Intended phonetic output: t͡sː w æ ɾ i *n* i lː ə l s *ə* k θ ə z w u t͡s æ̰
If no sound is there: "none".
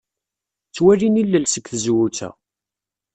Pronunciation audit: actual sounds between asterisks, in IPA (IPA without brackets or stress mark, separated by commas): n, ə